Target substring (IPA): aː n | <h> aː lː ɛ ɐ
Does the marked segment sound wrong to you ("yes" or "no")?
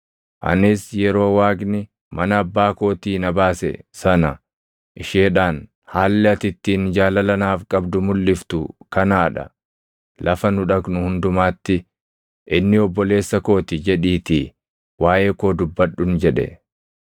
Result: no